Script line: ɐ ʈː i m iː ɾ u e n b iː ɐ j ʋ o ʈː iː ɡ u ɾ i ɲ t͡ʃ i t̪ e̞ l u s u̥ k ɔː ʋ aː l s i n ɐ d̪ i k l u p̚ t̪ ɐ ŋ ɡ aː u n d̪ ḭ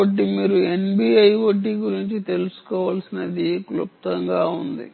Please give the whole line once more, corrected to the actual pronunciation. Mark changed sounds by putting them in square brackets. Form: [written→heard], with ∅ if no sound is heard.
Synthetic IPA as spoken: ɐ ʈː i m iː ɾ u e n b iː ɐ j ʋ o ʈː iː ɡ u ɾ i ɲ t͡ʃ i t̪ e̞ l u s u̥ k ɔː ʋ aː l s i n ɐ d̪ i k l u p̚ t̪ ɐ ŋ ɡ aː u n d̪ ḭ